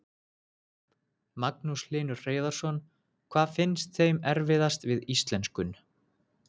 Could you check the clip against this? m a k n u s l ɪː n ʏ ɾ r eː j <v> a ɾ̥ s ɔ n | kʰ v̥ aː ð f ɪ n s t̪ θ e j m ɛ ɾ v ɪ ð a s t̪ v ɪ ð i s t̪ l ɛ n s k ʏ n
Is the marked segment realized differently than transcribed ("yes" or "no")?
yes